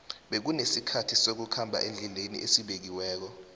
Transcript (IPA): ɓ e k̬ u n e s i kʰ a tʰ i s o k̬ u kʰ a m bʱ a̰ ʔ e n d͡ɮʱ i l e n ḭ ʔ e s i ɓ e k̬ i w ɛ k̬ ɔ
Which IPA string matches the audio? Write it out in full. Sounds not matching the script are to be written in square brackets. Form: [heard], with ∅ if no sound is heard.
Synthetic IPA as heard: ɓ e k̬ u n e s i kʰ a tʰ i s o k̬ u kʰ a m bʱ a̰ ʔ e n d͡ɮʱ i l e n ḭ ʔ e s i ɓ e k̬ i w [ɛː] k̬ ɔ